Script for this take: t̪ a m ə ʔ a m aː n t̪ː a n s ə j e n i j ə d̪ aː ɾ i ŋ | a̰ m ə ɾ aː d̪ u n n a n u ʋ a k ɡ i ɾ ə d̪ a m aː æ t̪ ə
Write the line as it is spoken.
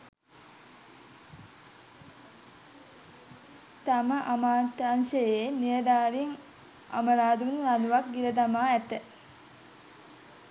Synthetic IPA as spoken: t̪ a m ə ʔ a m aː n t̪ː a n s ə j e n i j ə d̪ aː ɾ i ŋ | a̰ m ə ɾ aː d̪ u n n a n u ʋ a k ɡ i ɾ ə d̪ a m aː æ t̪ ə